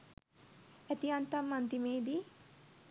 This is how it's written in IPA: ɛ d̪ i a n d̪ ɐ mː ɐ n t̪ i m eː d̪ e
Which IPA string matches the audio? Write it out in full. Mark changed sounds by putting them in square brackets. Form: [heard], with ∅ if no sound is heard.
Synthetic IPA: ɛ [t̪] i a n [t̪] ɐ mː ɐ n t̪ i m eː d̪ [i]